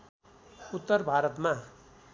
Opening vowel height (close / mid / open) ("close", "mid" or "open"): close